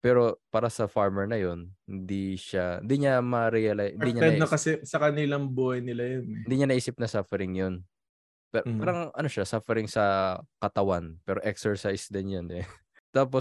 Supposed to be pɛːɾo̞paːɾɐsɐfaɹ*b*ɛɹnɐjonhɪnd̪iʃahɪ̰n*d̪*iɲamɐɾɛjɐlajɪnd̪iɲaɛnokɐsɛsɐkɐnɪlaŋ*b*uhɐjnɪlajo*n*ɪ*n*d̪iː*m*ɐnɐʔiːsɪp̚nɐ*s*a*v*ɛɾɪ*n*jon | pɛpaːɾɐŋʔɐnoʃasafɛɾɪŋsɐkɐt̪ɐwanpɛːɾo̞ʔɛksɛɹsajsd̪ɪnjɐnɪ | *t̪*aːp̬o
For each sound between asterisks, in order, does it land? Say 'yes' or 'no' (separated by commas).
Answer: no, yes, yes, yes, yes, no, yes, no, no, yes